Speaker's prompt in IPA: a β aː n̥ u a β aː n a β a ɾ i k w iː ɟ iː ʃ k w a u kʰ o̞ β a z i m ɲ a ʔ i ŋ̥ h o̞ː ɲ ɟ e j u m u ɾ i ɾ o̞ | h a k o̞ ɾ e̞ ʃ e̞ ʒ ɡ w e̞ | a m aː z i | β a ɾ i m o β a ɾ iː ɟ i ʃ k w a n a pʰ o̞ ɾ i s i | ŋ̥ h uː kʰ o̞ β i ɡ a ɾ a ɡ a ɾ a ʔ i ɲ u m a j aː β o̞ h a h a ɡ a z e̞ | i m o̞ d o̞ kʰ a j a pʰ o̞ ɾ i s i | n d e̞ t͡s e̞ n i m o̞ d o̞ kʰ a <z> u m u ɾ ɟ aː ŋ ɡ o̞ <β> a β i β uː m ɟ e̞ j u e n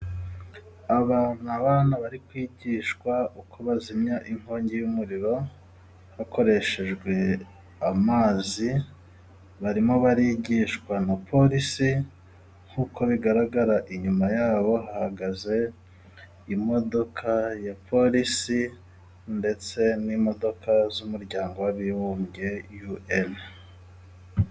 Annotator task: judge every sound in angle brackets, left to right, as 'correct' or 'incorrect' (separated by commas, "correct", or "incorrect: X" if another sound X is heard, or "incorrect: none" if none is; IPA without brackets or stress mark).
correct, incorrect: w